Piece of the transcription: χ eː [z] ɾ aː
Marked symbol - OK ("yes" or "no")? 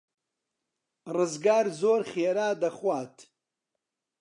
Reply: no